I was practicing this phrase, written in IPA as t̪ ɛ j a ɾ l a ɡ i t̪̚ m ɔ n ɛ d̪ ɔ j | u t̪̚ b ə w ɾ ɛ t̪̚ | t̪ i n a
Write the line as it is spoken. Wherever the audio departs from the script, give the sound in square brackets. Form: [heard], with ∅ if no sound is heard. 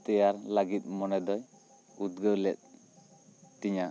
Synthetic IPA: t̪ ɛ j a ɾ l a ɡ i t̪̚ m ɔ n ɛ d̪ ɔ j | u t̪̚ [ɡ] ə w [l] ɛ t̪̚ | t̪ i [ɲ] a